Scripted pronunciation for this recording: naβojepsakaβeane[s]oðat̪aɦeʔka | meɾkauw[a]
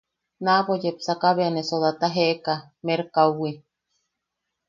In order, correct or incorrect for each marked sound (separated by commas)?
correct, incorrect